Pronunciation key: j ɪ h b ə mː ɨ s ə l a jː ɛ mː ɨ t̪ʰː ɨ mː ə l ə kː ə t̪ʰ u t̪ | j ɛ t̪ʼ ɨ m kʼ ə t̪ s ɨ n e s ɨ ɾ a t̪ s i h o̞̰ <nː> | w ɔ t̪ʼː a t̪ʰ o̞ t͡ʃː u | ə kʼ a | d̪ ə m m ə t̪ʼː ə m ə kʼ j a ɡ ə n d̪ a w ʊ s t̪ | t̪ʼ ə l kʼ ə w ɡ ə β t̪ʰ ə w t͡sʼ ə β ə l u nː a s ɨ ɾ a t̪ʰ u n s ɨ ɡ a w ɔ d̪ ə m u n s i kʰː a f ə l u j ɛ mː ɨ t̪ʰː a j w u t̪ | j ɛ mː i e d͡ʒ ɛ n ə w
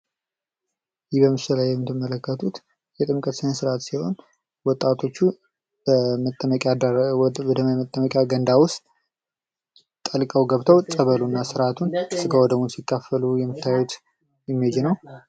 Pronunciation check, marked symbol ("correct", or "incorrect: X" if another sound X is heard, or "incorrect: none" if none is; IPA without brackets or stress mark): incorrect: n